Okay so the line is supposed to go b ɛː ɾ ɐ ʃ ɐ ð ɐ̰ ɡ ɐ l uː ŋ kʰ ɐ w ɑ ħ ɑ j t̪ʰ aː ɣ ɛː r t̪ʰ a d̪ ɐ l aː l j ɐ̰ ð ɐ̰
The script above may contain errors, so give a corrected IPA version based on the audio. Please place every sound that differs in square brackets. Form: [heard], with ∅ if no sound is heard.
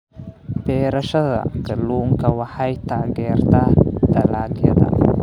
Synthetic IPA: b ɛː ɾ ɐ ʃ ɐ ð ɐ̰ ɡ ɐ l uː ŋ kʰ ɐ w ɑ ħ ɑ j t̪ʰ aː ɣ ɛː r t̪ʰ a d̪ ɐ l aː l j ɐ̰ ð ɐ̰